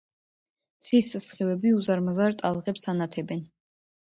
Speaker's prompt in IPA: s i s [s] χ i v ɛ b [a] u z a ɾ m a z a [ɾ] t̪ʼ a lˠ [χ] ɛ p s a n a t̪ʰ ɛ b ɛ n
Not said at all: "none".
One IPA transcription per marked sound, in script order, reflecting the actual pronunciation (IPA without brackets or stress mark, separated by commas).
s, i, ɾ, ʁ